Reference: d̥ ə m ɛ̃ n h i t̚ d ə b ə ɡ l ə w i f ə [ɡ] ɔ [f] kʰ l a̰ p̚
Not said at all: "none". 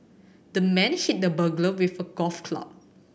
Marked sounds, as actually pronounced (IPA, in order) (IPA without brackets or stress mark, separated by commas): ɡ, f